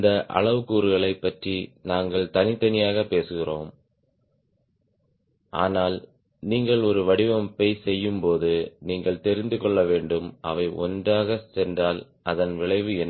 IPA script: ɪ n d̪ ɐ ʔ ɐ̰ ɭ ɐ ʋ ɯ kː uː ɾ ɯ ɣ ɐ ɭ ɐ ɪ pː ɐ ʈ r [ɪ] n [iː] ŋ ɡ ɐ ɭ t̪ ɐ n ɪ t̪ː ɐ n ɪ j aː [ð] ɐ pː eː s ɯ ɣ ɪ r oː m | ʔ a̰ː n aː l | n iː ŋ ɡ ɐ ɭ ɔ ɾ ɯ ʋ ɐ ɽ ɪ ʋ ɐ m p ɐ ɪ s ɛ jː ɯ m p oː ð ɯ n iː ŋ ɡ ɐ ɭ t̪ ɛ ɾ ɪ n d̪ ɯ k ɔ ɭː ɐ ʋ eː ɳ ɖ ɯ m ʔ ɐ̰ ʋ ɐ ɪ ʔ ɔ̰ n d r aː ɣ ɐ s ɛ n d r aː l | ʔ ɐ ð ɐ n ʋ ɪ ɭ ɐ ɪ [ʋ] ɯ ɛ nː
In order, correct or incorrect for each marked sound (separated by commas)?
incorrect, incorrect, incorrect, correct